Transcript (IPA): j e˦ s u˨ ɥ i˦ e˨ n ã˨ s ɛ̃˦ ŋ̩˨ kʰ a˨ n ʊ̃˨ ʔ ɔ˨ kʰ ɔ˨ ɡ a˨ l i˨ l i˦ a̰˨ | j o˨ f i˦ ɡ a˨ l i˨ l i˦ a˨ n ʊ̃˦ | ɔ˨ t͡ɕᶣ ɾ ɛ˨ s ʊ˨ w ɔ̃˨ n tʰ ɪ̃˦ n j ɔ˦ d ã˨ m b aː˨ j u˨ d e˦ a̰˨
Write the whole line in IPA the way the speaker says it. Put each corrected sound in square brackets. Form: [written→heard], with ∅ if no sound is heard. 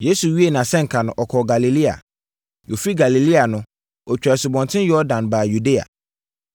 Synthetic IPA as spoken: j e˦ s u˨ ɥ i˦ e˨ n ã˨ s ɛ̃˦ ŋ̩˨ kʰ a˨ n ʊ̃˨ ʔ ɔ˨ kʰ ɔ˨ ɡ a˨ l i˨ l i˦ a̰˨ | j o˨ f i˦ ɡ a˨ l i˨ l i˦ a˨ n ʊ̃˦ | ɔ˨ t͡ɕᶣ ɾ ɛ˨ s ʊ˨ [w→b] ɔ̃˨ n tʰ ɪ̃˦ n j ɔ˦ d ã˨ [m→n] b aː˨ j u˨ d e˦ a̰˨

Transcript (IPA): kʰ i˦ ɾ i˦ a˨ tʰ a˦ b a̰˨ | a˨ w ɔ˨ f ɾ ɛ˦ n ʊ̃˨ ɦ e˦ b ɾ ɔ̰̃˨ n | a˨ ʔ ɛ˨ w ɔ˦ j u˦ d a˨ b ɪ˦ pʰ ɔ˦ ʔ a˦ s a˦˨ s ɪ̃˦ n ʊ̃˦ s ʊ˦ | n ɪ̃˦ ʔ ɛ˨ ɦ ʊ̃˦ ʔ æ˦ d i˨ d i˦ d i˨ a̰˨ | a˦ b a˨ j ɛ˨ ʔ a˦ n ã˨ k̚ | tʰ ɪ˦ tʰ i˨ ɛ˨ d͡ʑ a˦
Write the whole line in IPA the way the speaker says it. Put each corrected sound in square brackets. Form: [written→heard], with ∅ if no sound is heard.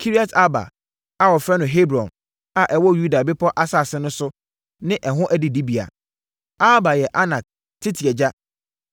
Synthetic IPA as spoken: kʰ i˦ ɾ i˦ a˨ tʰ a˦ b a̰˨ | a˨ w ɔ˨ f ɾ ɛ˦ n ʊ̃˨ ɦ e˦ b ɾ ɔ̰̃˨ n | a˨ ʔ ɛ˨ w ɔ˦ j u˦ d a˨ b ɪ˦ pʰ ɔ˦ ʔ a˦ s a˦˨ s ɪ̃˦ n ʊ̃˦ s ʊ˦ | n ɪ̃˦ ʔ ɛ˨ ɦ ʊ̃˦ ʔ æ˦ d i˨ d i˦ [d→b] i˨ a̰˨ | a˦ b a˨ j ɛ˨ ʔ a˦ n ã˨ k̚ | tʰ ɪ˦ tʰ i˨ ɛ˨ d͡ʑ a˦

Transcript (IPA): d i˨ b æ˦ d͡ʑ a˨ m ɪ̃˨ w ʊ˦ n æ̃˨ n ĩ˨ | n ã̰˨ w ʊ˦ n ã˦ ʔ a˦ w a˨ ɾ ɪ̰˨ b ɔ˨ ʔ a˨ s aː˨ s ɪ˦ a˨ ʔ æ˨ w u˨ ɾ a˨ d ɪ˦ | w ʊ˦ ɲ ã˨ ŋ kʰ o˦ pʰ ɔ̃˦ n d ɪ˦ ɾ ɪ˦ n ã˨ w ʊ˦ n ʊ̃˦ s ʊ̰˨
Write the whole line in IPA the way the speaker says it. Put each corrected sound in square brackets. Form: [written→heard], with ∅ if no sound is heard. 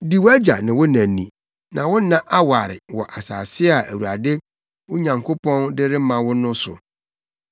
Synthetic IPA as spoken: d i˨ [b→w] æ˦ d͡ʑ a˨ [m→n] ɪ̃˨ w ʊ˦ n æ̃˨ n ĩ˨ | n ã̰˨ w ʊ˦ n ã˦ ʔ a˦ w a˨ ɾ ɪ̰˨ [b→w] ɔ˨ ʔ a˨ s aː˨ s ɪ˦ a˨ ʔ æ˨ w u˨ ɾ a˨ d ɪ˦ | w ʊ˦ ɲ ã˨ ŋ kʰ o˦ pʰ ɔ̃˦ n d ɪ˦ ɾ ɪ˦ [n→m] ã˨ w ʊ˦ n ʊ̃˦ s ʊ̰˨

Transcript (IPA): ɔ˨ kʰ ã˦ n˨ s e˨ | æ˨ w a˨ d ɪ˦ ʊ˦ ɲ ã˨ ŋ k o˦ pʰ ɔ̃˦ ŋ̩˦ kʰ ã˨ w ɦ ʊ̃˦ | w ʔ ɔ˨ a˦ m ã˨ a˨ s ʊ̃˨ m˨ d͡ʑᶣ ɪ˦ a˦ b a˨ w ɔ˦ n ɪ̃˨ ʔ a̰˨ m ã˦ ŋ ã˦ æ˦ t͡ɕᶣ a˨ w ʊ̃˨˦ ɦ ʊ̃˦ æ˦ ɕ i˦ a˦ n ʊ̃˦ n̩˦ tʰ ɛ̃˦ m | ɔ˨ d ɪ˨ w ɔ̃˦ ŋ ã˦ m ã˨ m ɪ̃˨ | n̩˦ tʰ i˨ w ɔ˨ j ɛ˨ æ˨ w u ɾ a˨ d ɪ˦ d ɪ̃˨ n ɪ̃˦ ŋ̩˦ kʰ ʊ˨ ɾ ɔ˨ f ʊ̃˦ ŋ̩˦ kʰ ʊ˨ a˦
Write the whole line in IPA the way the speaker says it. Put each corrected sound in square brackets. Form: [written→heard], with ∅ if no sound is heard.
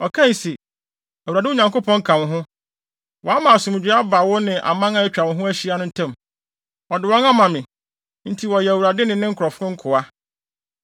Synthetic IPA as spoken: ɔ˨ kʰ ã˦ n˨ s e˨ | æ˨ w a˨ d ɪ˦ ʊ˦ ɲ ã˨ ŋ k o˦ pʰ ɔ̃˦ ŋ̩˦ kʰ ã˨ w ɦ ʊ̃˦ | w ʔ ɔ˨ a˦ m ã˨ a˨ s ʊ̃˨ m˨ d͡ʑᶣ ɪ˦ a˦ b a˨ w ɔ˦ n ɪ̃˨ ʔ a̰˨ m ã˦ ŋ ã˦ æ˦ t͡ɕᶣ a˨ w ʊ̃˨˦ ɦ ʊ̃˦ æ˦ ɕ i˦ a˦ n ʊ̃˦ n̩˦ tʰ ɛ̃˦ m | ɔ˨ d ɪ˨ w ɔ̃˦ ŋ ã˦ m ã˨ m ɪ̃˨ | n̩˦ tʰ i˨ w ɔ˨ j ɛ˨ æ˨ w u ɾ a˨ d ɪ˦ [d→n] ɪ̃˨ n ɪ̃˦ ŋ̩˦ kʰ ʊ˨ ɾ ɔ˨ f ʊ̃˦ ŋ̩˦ kʰ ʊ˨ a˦

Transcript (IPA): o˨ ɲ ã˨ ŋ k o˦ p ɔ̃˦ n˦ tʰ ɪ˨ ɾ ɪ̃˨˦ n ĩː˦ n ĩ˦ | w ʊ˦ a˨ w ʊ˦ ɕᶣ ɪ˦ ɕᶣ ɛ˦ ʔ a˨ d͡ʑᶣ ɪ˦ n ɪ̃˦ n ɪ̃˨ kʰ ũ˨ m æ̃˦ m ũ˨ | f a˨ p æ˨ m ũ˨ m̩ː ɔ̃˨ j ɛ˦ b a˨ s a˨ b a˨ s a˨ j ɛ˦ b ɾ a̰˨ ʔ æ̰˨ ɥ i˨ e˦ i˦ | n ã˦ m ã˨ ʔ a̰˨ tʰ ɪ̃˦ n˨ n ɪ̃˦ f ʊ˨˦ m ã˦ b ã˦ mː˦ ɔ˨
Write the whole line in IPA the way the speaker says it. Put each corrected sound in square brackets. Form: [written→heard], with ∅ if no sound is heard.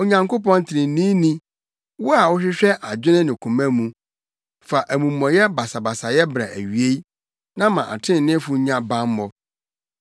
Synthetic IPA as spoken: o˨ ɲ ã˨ ŋ k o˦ p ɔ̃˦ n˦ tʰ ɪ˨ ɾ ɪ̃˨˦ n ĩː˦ n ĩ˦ | w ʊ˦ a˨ w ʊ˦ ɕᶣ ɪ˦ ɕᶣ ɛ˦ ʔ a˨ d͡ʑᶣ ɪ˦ n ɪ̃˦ n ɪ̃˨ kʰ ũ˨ m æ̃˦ m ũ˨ | f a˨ [p→ʔ] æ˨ m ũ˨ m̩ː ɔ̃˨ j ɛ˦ b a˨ s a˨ b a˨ s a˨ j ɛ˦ b ɾ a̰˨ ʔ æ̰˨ ɥ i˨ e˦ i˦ | n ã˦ m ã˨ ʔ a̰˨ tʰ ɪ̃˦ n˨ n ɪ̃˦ f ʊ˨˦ [m→ɲ] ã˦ b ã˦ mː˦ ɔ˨

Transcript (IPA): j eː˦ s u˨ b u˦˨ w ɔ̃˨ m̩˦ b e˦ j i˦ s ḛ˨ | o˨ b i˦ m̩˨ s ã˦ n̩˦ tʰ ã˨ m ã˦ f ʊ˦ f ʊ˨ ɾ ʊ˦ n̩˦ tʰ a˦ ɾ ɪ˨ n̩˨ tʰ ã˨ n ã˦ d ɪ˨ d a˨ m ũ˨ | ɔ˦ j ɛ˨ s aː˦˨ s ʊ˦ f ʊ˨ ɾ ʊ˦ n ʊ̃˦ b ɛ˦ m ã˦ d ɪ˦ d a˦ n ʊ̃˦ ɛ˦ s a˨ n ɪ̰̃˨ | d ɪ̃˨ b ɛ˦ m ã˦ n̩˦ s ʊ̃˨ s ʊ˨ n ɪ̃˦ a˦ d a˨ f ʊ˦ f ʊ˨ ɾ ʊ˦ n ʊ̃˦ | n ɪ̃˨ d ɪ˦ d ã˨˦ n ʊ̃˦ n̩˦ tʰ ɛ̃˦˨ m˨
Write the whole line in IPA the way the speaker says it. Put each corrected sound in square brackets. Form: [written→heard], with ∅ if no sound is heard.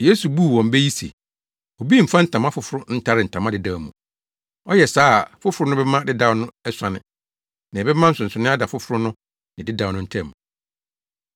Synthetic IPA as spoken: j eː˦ s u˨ b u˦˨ w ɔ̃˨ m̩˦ b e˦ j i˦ s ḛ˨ | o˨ b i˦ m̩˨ [s→f] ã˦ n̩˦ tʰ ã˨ m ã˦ f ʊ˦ f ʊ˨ ɾ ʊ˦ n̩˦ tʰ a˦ ɾ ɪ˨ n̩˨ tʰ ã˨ [n→m] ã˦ d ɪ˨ d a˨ m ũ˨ | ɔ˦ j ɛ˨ s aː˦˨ [s→f] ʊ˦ f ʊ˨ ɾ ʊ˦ n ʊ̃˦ b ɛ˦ m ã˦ d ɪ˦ d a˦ n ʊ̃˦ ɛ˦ s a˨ n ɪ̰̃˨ | [d→n] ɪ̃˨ b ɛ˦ m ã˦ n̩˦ s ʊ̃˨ s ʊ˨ n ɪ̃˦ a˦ d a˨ f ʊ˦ f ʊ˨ ɾ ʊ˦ n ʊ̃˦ | n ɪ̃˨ d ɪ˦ d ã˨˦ n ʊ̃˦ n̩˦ tʰ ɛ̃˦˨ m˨

